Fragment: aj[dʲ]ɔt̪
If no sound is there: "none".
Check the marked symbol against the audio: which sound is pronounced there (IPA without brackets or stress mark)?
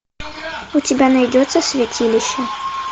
dʲ